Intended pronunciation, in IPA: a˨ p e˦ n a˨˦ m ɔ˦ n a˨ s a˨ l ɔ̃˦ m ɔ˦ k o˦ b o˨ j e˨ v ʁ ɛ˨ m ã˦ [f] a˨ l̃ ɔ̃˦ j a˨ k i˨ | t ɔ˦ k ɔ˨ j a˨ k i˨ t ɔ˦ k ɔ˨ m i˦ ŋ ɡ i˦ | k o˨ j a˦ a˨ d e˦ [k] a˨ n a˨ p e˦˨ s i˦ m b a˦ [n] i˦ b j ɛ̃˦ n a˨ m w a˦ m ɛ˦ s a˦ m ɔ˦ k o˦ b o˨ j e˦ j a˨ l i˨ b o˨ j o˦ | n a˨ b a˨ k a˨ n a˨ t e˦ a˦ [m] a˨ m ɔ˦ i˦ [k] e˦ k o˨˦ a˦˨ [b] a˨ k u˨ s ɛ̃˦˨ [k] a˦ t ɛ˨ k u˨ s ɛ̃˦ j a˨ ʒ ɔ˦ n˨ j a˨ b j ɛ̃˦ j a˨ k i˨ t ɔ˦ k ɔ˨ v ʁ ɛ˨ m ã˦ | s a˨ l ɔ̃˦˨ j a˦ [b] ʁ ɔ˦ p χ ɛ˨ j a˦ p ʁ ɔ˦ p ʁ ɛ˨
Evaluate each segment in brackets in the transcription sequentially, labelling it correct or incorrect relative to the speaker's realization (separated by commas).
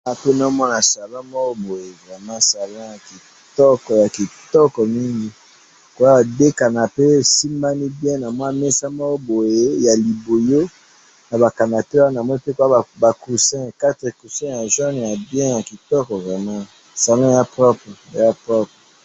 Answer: incorrect, correct, correct, incorrect, incorrect, correct, correct, incorrect